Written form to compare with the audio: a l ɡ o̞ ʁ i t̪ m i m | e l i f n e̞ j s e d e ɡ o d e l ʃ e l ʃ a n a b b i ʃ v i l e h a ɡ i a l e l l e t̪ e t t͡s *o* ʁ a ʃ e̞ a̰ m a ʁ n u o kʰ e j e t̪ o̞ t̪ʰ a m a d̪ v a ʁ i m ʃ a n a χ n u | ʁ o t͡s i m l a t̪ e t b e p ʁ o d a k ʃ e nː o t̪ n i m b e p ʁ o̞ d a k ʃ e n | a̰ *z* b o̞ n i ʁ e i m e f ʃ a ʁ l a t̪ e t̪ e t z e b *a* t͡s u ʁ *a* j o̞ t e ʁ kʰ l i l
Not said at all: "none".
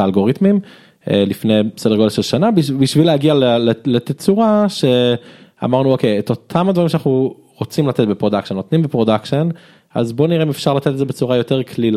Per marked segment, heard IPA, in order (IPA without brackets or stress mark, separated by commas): u, z, e, a